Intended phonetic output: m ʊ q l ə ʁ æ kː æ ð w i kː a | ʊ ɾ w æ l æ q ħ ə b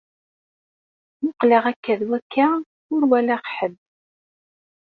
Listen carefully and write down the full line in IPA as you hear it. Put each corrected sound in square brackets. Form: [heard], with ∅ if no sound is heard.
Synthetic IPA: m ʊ q l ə ʁ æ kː æ ð w [æ] kː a | ʊ ɾ w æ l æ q ħ ə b